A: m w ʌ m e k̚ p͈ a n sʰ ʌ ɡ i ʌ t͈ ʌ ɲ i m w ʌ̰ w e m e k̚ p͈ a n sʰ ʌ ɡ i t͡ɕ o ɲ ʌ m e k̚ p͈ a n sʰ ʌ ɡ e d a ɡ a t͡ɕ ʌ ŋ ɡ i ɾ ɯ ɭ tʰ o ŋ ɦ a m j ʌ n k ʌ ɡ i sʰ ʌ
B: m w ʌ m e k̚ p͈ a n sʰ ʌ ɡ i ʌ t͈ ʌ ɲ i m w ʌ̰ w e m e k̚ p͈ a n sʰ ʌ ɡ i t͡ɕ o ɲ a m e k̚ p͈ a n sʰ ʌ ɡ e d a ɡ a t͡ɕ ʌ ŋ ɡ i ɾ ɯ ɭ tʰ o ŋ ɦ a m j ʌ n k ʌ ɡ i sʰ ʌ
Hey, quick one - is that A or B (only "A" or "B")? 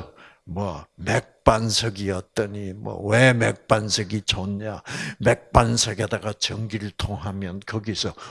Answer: B